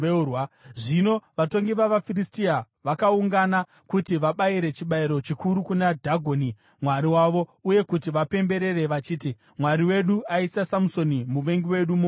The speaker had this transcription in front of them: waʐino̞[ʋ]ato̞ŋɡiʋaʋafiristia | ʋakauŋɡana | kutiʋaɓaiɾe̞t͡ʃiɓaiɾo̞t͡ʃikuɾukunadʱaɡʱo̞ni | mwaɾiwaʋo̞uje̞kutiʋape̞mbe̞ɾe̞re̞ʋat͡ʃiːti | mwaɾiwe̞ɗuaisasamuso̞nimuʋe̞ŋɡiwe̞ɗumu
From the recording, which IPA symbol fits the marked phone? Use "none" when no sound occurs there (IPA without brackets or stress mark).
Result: ʋ